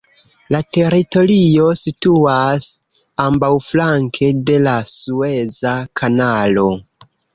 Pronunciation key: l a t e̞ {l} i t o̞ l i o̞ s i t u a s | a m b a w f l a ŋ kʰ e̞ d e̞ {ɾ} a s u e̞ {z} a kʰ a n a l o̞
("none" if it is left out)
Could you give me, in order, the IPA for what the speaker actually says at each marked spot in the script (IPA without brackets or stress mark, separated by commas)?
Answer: ɾ, l, z